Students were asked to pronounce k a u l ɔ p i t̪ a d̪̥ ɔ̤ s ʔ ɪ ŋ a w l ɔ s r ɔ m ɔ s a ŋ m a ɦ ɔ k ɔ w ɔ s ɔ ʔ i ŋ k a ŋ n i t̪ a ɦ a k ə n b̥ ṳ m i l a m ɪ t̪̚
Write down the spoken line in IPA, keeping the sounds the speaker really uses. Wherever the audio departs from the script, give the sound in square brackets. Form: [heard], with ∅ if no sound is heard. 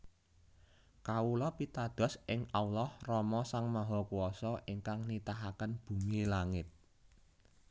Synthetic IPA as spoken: k a u l ɔ p i t̪ a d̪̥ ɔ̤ s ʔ ɪ ŋ a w l ɔ [h] r ɔ m ɔ s a ŋ m a ɦ ɔ k [u] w ɔ s ɔ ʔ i ŋ k a ŋ n i t̪ a ɦ a k ə n b̥ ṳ m i l a [ŋ] ɪ t̪̚